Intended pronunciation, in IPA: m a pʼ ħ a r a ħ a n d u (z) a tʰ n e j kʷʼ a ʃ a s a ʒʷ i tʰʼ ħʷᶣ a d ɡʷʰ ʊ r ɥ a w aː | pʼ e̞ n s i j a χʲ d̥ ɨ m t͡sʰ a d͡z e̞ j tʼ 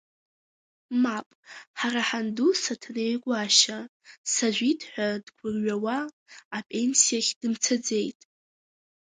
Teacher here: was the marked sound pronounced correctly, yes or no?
no